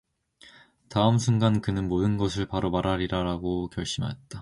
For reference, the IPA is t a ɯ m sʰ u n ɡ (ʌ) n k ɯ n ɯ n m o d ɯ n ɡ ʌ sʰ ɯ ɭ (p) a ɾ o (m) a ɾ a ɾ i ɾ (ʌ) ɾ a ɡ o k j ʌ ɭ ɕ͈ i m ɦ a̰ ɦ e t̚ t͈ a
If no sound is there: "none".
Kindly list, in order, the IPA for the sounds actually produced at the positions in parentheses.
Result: a, p, m, a

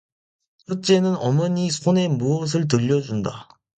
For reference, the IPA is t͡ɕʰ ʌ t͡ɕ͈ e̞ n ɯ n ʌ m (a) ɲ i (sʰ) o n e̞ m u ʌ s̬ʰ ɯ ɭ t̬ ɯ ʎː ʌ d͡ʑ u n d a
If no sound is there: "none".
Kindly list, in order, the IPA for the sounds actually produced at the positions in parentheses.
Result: ʌ, sʰ

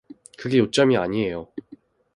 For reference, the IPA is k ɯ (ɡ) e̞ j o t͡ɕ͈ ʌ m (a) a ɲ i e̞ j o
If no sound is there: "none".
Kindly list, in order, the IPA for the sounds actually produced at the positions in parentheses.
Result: ɡ, i

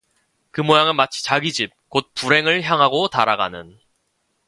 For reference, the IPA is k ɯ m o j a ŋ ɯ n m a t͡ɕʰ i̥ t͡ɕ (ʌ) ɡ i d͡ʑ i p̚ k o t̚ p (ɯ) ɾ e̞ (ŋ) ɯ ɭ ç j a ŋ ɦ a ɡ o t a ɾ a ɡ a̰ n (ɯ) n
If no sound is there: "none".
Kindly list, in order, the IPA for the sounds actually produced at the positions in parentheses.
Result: a, u, ŋ, ɯ

